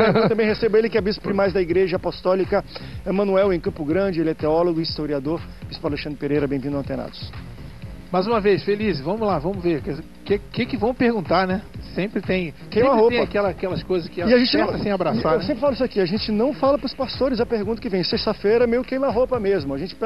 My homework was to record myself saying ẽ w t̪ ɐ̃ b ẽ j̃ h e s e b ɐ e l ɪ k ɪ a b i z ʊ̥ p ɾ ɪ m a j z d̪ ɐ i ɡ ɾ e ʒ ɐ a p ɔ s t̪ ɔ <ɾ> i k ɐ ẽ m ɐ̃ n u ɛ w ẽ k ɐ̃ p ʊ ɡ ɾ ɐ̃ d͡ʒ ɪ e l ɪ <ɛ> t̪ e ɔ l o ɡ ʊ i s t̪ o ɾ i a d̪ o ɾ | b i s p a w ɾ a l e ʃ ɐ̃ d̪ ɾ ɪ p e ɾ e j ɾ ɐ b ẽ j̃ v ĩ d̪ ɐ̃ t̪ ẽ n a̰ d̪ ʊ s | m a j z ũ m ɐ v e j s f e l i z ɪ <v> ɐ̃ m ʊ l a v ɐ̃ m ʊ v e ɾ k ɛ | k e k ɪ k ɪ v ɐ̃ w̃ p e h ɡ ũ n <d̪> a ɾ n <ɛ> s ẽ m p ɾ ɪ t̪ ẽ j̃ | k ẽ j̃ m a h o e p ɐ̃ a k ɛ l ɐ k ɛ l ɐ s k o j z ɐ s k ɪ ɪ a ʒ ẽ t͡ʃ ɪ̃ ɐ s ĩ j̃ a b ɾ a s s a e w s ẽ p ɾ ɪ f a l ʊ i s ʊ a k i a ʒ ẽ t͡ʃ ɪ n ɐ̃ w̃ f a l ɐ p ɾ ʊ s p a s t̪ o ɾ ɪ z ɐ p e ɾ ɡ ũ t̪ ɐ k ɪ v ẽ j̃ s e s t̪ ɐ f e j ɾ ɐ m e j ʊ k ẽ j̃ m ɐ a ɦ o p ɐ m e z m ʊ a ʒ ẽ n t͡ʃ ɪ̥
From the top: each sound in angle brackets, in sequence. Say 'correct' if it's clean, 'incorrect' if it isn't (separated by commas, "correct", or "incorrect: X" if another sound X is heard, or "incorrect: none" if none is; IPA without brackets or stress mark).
incorrect: l, correct, correct, incorrect: t̪, correct